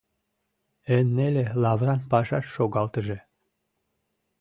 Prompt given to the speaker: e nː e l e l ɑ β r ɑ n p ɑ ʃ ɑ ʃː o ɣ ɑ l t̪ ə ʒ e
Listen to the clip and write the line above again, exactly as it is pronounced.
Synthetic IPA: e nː e l e l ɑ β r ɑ n p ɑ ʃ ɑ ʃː o ɣ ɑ l t̪ ə ʒ e